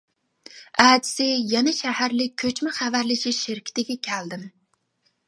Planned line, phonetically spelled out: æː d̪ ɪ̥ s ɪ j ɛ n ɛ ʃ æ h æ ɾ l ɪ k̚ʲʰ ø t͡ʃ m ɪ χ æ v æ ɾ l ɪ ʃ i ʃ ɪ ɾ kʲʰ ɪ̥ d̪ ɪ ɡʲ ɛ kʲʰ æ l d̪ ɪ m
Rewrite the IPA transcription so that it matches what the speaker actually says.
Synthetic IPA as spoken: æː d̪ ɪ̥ s ɪ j ɛ n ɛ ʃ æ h æ ɾ l ɪ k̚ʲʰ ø t͡ʃ m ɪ χ æ v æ ɾ l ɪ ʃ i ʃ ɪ ɾ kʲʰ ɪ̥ t̪ ɪ ɡʲ ɛ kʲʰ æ l d̪ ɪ m